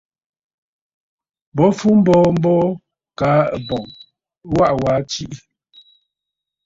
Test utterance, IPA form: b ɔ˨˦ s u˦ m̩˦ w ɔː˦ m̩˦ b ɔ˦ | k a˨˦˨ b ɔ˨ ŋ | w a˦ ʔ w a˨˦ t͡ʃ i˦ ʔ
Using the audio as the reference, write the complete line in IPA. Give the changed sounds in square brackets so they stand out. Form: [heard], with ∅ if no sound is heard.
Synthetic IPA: b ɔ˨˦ [f] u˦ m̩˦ [b] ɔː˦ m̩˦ b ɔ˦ | k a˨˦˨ b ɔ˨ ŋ | w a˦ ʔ w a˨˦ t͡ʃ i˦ ʔ

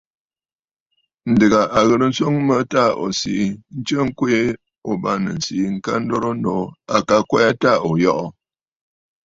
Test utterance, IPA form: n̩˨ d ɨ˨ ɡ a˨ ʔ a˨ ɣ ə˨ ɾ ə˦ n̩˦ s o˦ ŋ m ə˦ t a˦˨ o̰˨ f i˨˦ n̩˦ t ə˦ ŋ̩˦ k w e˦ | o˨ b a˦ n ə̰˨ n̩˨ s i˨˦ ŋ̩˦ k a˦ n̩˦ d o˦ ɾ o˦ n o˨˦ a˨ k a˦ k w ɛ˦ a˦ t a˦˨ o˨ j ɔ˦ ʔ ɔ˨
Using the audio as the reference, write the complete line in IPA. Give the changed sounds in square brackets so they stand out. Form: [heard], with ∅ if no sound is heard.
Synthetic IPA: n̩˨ d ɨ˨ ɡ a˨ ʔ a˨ ɣ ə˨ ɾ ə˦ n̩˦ s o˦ ŋ m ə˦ t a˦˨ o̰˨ [s] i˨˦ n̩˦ [t͡ʃ] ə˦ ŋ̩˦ k w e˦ | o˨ b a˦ n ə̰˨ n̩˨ s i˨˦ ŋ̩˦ k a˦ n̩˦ d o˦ ɾ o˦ n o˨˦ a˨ k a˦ k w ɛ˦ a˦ t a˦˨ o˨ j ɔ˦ ʔ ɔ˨

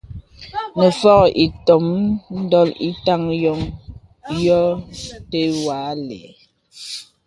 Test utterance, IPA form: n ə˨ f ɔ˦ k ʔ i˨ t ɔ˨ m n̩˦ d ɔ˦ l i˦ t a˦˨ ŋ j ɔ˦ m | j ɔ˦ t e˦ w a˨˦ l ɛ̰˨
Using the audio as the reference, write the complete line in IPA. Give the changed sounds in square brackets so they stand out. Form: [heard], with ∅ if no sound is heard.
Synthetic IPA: n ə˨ f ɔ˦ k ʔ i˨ t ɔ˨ m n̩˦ d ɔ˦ l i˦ t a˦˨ ŋ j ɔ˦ [ŋ] | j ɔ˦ t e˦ w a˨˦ l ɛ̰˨

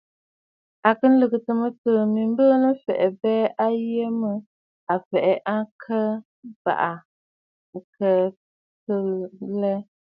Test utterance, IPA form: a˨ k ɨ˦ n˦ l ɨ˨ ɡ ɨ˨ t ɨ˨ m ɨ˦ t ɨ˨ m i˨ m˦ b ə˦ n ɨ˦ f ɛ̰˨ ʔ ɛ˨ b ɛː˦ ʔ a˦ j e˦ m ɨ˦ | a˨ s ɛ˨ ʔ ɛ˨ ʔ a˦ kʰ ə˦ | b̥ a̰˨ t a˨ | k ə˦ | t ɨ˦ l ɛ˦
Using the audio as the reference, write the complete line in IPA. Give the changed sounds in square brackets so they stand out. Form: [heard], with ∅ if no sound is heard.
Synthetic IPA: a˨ k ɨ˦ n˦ l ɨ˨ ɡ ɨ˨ t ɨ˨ m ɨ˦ t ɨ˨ m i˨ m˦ b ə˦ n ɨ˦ f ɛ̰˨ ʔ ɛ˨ b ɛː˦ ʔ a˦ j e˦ m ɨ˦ | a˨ [f] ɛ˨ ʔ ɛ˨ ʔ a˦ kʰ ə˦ | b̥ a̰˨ [ʔ] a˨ | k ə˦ | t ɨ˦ l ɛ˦

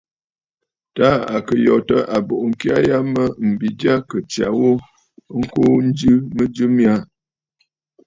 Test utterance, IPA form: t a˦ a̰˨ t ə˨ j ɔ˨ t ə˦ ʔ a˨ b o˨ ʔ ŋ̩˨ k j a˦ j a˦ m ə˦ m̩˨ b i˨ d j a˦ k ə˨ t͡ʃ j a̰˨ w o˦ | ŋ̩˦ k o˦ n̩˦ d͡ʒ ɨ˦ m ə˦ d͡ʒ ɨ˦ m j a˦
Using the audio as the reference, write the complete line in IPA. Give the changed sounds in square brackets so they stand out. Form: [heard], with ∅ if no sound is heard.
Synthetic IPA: t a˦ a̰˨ [k] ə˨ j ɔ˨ t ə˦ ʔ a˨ b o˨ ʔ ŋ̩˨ k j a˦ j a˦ m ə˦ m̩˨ b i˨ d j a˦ k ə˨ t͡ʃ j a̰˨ w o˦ | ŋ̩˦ k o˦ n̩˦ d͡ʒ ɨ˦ m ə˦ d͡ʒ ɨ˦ m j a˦

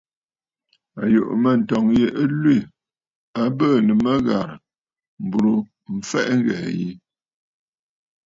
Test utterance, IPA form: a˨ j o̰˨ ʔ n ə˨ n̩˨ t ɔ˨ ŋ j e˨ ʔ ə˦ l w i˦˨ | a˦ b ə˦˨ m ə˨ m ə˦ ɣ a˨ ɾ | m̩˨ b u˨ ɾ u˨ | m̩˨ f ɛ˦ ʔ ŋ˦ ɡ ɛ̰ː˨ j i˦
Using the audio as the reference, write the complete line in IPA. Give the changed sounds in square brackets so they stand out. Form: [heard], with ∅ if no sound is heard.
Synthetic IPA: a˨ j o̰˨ ʔ [m] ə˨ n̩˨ t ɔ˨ ŋ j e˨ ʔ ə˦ l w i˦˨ | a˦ b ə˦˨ [n] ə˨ m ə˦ ɣ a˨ ɾ | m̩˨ b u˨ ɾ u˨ | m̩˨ f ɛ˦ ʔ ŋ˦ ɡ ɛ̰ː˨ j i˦

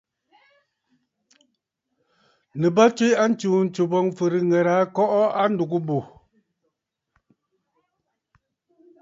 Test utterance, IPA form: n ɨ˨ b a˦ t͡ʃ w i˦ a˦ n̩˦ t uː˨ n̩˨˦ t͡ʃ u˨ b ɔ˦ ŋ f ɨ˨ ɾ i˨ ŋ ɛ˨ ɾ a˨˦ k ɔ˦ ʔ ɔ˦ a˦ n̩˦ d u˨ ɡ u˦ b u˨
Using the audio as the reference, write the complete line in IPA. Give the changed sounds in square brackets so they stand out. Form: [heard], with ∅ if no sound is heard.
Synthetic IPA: n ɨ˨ b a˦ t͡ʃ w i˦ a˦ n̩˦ [t͡ʃ] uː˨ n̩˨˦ t͡ʃ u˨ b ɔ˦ ŋ f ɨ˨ ɾ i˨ ŋ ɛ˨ ɾ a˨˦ k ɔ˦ ʔ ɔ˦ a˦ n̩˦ d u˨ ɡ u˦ b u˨

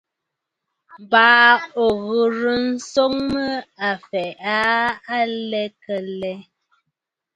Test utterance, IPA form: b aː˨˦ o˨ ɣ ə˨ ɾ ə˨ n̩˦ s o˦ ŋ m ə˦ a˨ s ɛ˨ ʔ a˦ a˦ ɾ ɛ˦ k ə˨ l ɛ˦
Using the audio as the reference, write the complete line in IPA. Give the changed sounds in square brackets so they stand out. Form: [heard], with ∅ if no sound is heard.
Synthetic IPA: b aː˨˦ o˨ ɣ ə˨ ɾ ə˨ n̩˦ s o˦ ŋ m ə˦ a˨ [f] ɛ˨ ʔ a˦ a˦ [l] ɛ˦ k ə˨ l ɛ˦

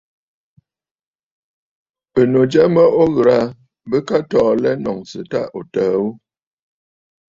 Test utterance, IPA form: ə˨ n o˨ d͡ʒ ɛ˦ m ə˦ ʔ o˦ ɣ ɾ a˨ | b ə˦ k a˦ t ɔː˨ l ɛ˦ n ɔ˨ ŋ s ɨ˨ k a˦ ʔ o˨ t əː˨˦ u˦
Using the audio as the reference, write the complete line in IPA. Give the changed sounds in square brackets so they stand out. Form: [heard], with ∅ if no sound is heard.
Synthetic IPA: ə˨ n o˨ d͡ʒ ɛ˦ m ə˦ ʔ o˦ ɣ ɾ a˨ | b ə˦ k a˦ t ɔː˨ l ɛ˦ n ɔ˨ ŋ s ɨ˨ [t] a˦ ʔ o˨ t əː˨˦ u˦

